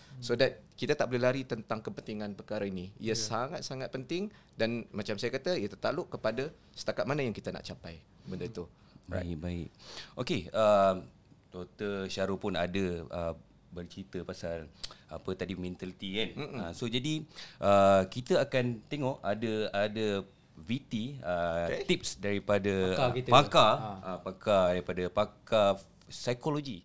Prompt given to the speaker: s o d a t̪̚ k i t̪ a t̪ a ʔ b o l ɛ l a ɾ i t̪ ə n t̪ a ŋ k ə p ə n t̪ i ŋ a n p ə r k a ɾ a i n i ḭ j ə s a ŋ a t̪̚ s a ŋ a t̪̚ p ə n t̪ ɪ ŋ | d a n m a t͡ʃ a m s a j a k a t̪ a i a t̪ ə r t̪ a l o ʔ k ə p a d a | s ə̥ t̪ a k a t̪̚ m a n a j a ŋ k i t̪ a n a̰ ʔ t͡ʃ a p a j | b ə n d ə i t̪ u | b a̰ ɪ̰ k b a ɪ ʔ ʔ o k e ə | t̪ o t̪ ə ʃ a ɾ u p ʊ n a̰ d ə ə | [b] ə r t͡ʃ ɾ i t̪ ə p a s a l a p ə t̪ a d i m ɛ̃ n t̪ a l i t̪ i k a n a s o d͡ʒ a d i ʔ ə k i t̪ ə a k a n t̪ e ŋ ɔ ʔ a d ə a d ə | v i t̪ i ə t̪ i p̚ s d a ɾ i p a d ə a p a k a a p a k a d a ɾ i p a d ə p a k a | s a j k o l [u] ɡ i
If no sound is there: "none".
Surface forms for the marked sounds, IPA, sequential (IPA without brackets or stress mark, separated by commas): b, o